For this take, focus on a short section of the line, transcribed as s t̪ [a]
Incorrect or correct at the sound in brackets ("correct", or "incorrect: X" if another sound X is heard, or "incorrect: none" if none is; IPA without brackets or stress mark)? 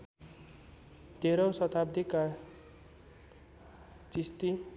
incorrect: i